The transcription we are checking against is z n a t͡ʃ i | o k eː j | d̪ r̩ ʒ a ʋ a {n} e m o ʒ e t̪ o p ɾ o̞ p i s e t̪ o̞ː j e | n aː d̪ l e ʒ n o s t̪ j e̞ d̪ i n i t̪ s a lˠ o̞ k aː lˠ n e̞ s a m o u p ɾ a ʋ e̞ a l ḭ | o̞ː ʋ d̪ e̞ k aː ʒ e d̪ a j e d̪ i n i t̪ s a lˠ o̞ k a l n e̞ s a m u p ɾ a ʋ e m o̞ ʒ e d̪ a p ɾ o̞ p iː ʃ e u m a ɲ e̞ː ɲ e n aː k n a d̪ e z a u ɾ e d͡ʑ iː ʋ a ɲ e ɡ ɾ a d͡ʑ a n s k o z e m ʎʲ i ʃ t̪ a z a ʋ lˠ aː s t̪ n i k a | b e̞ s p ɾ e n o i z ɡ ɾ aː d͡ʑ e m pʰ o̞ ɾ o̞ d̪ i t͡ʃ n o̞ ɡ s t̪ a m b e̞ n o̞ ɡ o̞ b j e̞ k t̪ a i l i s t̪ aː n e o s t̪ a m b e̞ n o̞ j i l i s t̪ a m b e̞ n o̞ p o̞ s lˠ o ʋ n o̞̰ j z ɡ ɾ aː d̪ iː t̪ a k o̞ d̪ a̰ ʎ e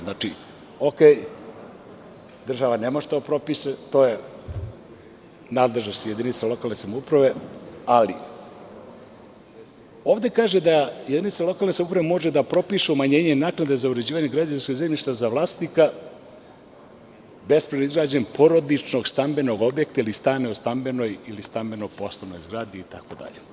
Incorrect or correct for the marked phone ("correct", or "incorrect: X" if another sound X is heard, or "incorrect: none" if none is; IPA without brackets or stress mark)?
correct